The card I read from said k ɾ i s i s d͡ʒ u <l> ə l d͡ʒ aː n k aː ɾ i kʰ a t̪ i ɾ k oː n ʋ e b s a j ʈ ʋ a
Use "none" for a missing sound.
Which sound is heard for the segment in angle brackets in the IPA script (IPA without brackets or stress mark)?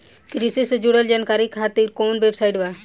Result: ɽ